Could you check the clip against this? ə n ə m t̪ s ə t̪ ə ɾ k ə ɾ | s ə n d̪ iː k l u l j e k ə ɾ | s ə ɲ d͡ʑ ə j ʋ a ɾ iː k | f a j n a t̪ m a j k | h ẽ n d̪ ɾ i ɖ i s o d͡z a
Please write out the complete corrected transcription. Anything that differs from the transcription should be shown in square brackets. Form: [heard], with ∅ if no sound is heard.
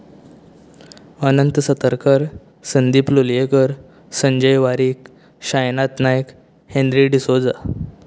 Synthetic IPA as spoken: ə n ə [n] t̪ s ə t̪ ə ɾ k ə ɾ | s ə n d̪ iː [p] l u l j e k ə ɾ | s ə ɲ d͡ʑ ə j ʋ a ɾ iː k | [ɕ] a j n a t̪ [n] a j k | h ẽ n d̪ ɾ i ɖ i s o d͡z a